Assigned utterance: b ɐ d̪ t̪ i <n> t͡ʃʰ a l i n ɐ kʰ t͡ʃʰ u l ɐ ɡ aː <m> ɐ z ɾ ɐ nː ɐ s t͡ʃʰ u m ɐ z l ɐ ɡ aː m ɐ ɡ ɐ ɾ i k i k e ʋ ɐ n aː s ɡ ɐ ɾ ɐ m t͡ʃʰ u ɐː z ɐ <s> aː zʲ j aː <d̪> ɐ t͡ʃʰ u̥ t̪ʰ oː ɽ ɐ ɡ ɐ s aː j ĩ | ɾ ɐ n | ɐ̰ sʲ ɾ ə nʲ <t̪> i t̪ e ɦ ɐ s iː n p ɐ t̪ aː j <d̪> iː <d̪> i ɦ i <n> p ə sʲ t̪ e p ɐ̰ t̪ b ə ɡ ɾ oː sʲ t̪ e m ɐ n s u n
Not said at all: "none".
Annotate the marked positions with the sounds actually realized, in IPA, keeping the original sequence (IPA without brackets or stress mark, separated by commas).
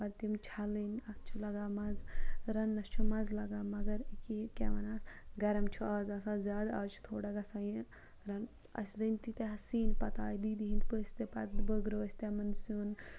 m, m, s, d̪, t̪, d̪, d̪, n